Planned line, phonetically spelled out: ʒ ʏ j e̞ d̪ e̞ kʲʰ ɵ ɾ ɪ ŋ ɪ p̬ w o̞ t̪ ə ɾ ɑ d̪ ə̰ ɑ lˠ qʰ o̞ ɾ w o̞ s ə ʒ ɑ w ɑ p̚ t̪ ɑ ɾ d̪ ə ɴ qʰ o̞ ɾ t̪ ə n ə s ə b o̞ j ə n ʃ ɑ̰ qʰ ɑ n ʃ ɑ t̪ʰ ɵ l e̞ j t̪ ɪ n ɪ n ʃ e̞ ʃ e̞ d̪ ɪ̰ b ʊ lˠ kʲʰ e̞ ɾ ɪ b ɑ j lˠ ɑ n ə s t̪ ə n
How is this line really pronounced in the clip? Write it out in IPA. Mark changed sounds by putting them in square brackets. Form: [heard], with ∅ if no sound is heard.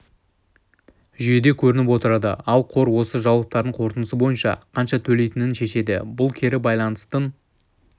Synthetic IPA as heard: ʒ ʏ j e̞ d̪ e̞ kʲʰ ɵ ɾ ɪ [n] ɪ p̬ w o̞ t̪ ə ɾ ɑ d̪ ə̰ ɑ lˠ qʰ o̞ ɾ w o̞ s ə ʒ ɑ w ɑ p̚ t̪ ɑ ɾ d̪ ə ɴ qʰ o̞ ɾ t̪ ə n ə s ə b o̞ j ə n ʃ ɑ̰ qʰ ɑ n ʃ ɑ t̪ʰ ɵ l e̞ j t̪ ɪ n ɪ n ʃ e̞ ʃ e̞ d̪ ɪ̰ b ʊ lˠ kʲʰ e̞ ɾ ɪ b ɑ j lˠ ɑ n ə s t̪ ə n